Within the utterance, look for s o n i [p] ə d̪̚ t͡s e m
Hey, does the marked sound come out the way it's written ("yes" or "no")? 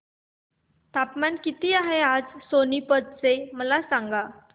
yes